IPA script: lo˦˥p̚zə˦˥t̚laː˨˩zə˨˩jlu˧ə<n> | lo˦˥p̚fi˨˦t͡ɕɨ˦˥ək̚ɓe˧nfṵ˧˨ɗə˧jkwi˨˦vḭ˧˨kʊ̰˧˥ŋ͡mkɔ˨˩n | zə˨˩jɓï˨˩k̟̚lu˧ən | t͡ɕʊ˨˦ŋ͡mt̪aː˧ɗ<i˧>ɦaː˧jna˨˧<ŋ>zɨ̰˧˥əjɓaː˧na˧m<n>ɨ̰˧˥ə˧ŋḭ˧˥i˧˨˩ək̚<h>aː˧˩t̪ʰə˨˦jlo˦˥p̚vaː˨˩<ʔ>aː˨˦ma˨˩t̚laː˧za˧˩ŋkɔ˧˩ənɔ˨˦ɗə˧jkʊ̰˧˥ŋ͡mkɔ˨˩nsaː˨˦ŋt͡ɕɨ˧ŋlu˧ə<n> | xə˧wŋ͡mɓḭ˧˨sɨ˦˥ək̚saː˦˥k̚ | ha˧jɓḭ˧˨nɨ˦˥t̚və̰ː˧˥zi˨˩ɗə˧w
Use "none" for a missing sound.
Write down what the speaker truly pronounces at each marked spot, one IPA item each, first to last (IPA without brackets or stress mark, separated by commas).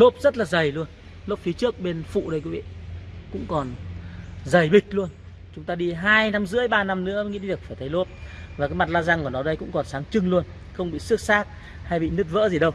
n, i˧, m, n, f, k, n